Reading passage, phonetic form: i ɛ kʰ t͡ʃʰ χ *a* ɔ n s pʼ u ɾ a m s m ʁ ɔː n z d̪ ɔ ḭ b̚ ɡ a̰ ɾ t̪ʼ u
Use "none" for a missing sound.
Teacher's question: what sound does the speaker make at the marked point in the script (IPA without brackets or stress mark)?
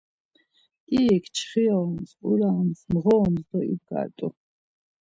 i